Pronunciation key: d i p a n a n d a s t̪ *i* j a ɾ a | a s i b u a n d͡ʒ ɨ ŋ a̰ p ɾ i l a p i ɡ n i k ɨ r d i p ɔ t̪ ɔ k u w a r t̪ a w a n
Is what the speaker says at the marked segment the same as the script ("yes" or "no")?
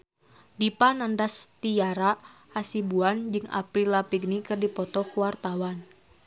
yes